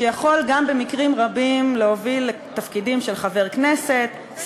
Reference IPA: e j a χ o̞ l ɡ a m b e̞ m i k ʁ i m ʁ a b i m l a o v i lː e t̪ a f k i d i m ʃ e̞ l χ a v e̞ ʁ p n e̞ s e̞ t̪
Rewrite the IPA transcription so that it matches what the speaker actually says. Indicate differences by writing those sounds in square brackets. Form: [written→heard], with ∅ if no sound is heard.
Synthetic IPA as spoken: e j a χ o̞ l ɡ a m b e̞ m i k ʁ i m ʁ a b i m l [a→e] o v i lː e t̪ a f k i d i m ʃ e̞ l χ a v e̞ ʁ [p→k] n e̞ s e̞ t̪

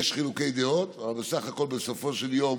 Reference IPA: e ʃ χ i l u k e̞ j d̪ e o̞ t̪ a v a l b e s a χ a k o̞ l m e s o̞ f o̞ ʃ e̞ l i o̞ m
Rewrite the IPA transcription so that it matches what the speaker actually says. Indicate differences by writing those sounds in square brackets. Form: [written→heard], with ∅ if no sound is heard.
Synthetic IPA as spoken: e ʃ χ i l u k e̞ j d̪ e o̞ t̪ a v a l b e s a χ a k o̞ l [m→b] e s o̞ f o̞ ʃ e̞ l [i→j] o̞ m

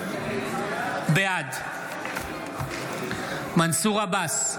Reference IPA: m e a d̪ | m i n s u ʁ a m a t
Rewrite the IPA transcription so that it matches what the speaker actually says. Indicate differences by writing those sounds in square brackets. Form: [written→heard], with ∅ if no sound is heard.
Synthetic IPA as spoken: [m→b] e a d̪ | m [i→a] n s u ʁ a [m→b] a [t→s]

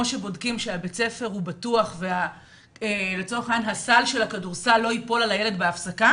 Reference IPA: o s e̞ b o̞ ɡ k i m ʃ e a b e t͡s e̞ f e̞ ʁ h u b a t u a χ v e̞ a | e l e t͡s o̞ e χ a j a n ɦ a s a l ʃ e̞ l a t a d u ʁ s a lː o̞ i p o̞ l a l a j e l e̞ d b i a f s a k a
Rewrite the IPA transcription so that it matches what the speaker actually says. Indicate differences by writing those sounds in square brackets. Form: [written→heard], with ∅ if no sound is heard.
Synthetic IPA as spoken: o [s→ʃ] e̞ b o̞ [ɡ→d] k i m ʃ e a b e t͡s e̞ f e̞ ʁ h u b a t u a χ v e̞ a | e l e t͡s o̞ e χ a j a n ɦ a s a l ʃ e̞ l a [t→k] a d u ʁ s a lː o̞ i p o̞ l a l a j e l e̞ d b [i→e] a f s a k a

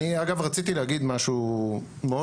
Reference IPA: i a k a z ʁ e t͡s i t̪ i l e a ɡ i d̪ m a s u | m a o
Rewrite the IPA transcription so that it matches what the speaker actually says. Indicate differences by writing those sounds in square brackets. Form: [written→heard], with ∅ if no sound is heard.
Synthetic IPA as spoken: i a [k→ɡ] a [z→v] ʁ [e→a] t͡s i t̪ i l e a ɡ i d̪ m a [s→ʃ] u | m [a→e] o

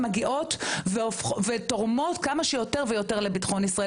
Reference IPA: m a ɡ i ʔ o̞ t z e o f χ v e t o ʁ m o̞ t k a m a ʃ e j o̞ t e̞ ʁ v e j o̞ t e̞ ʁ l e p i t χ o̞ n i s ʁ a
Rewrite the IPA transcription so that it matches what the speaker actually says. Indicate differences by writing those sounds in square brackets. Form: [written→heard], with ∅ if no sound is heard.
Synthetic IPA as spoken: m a ɡ i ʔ o̞ t [z→v] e o f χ v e t o ʁ m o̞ t k a m a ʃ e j o̞ t e̞ ʁ v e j o̞ t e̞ ʁ l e [p→b] i t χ o̞ n i s ʁ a

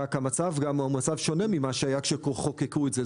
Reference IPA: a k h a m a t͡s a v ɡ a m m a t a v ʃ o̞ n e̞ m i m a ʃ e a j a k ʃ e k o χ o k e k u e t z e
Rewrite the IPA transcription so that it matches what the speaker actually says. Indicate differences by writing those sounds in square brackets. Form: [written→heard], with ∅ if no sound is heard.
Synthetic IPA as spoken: a k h a m a t͡s a v ɡ a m m a [t→t͡s] a v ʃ o̞ n e̞ m i m a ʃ e a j a k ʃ e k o χ o k e k u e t z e

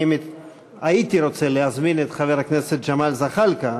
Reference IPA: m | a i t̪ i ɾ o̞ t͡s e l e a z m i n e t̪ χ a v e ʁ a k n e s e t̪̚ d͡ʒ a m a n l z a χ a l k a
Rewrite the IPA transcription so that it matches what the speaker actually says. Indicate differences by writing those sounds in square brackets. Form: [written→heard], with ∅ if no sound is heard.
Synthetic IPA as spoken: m | a i t̪ i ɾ o̞ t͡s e l e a z m i n e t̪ χ a v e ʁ a k n e s e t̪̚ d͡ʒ a m a [n→∅] l z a χ a l k a

